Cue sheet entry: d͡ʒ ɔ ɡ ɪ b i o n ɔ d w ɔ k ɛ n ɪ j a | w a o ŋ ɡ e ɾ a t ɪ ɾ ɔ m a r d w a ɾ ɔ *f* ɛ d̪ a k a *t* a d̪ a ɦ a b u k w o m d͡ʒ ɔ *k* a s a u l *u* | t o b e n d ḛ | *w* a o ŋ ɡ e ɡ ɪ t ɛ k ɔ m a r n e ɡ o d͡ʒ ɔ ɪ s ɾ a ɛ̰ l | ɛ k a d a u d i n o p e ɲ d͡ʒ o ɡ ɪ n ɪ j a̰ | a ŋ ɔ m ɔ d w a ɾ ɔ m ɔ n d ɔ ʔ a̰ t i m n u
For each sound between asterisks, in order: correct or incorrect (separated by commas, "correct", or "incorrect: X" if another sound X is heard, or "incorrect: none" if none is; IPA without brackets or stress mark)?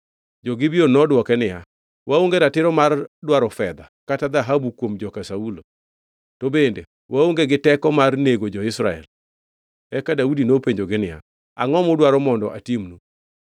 correct, correct, correct, incorrect: o, correct